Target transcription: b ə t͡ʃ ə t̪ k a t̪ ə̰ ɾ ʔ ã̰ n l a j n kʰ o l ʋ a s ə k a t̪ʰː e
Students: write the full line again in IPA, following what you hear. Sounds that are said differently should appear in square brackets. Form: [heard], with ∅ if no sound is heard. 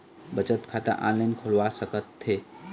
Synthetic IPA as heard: b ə t͡ʃ ə t̪ [kʰ] a t̪ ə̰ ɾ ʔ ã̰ n l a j n kʰ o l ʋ a s ə k [ə] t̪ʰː e